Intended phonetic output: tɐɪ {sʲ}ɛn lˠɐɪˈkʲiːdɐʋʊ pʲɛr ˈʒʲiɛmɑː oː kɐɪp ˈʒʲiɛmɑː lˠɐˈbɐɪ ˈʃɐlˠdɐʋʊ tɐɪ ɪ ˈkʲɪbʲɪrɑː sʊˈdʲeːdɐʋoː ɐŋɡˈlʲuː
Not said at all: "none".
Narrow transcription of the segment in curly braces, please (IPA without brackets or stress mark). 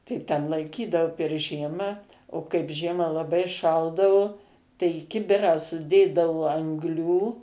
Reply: tʲ